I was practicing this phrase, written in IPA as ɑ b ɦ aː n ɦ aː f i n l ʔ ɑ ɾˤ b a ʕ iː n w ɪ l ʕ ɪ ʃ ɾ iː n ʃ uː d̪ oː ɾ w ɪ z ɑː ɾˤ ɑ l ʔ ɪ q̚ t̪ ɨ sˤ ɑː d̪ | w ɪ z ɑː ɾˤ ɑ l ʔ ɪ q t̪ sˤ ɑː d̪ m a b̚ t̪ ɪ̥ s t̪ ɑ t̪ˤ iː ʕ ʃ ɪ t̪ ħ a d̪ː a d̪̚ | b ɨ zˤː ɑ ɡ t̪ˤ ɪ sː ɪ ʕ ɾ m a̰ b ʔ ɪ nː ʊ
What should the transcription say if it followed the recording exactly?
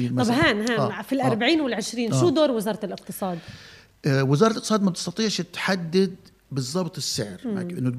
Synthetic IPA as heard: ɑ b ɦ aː n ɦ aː f i l ʔ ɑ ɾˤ b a ʕ iː n w ɪ l ʕ ɪ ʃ ɾ iː n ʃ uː d̪ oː ɾ w ɪ z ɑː ɾˤ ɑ l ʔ ɪ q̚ t̪ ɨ sˤ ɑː d̪ | w ɪ z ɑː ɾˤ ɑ l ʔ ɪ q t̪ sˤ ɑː d̪ m a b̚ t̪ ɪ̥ s t̪ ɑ t̪ˤ iː ʕ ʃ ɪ t̪ ħ a d̪ː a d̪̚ | b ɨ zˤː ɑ b t̪ˤ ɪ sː ɪ ʕ ɾ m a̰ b ʔ ɪ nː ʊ